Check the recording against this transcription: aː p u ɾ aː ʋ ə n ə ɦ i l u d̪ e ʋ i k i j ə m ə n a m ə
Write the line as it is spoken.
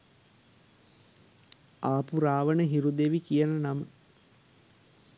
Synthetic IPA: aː p u ɾ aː ʋ ə n ə ɦ i ɾ u d̪ e ʋ i k i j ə n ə n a m ə